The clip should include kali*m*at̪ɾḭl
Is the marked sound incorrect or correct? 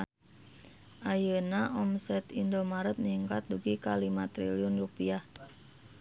correct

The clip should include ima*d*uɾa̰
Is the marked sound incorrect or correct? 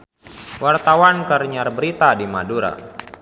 correct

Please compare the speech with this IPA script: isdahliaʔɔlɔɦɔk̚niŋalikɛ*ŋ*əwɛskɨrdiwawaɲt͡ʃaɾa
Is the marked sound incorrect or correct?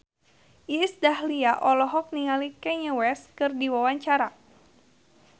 incorrect: ɲ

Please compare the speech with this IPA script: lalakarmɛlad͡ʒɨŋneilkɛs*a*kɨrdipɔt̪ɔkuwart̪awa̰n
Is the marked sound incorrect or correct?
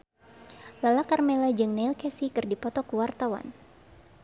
incorrect: i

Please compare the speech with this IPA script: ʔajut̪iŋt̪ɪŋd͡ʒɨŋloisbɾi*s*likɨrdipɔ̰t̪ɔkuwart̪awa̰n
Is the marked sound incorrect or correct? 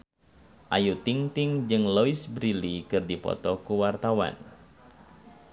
incorrect: none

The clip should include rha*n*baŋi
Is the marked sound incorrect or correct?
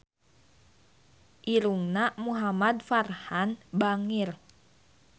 correct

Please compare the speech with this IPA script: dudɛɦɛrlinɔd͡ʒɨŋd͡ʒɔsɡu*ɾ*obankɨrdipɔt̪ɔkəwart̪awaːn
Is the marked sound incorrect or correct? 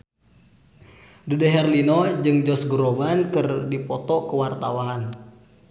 correct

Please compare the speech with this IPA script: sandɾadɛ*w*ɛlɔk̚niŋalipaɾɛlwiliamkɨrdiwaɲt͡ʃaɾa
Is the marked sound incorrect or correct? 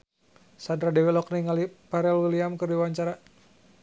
correct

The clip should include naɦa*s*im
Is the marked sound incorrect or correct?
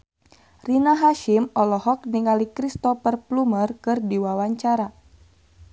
incorrect: ʃ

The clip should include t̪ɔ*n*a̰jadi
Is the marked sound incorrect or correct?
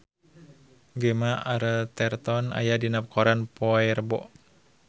correct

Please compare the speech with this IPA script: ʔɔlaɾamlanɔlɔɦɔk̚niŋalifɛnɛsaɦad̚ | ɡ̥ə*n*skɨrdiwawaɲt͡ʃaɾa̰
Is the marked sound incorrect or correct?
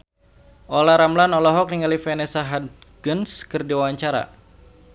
correct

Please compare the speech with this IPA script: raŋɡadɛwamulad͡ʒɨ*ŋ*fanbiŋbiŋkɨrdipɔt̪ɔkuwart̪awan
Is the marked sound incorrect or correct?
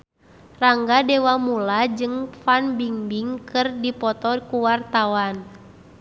correct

